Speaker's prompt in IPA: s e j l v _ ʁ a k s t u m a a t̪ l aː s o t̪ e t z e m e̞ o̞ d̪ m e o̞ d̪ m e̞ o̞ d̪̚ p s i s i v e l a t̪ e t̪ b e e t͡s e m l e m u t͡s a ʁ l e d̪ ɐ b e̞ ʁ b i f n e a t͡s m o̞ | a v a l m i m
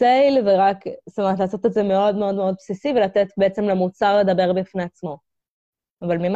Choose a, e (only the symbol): e